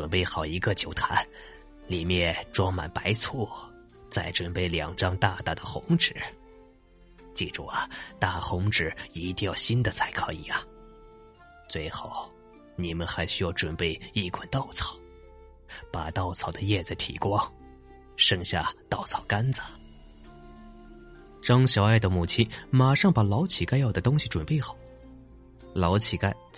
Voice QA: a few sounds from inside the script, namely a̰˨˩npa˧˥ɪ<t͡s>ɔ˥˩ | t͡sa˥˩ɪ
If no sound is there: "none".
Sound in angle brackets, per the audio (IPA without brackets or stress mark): t͡sʰ